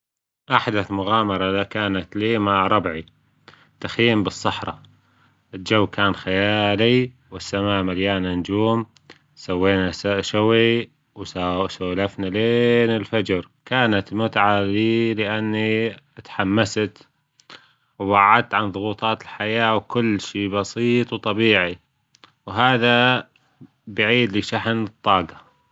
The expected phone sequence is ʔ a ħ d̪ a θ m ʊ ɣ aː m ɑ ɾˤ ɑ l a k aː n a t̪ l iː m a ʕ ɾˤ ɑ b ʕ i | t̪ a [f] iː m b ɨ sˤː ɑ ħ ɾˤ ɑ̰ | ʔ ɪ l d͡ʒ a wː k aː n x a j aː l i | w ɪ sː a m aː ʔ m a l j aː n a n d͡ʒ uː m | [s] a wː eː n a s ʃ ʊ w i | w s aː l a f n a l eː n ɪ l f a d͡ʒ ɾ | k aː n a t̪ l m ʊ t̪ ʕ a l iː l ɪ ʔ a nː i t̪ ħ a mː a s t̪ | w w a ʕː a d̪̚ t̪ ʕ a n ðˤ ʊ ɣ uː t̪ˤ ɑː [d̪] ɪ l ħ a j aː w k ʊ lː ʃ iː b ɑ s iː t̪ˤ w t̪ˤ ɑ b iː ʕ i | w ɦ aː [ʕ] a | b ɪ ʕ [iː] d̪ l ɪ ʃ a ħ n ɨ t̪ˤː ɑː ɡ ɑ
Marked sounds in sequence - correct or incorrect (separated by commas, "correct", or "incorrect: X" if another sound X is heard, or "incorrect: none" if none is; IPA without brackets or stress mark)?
incorrect: x, correct, incorrect: t̪, incorrect: ð, correct